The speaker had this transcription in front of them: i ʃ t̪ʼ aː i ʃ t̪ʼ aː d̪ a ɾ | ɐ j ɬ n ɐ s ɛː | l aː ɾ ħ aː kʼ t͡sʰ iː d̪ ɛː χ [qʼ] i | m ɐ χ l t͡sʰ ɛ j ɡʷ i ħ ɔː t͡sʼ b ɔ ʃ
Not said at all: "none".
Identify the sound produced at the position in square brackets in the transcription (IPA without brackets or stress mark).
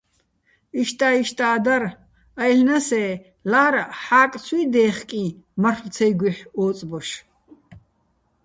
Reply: kʼ